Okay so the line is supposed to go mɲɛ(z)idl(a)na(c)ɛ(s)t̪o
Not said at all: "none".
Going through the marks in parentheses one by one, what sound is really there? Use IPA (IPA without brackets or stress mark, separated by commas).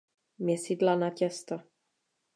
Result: s, a, c, s